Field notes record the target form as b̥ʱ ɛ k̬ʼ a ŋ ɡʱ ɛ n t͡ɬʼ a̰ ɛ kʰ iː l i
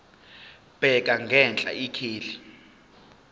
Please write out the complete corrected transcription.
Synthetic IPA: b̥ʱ ɛ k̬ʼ a ŋ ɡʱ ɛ n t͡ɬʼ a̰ i kʰ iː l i